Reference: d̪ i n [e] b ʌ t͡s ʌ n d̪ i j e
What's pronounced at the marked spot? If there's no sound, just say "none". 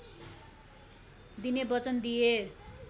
e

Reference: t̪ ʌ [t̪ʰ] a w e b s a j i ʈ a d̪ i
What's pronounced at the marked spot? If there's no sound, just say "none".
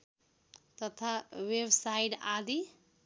t̪ʰ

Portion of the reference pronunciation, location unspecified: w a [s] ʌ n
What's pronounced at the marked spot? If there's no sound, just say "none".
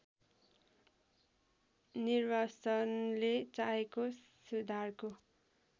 s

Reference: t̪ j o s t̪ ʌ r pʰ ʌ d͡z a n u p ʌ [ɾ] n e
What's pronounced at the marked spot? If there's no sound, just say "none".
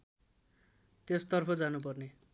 r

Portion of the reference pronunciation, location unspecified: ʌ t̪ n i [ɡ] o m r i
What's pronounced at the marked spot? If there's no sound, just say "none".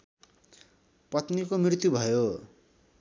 k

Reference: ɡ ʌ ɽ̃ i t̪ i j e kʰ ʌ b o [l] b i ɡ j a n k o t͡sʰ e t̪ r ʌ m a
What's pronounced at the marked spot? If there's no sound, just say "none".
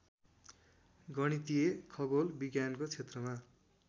l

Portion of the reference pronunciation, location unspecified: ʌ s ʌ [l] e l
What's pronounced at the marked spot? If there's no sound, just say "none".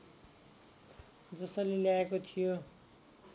l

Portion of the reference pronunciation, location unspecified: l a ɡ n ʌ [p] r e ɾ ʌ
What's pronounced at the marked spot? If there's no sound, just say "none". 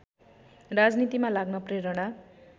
p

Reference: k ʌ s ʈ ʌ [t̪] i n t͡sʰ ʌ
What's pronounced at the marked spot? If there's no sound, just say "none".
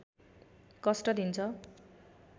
d̪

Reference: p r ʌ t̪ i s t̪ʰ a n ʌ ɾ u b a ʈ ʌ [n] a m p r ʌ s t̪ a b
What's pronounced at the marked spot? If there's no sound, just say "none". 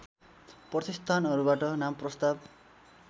n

